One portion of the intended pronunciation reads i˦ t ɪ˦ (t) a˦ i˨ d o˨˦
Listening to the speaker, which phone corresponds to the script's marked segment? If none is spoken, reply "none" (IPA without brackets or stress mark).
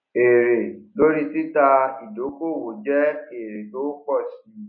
t